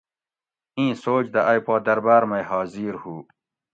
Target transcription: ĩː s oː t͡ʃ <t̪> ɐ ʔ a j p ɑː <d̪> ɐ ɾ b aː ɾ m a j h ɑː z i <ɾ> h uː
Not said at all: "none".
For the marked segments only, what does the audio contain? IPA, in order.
d̪, d̪, ɾ

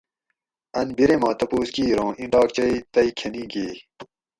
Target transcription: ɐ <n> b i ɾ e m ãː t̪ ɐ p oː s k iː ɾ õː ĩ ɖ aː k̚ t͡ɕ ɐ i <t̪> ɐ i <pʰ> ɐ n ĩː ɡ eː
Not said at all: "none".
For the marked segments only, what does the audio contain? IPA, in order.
n, t̪, kʰ

